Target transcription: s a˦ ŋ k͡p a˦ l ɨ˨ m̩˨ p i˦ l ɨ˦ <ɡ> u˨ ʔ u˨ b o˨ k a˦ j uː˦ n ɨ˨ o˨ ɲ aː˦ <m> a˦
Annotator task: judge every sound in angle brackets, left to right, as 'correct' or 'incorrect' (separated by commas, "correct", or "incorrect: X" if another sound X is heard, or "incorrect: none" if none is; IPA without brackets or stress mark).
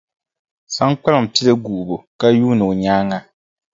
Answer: correct, incorrect: ŋ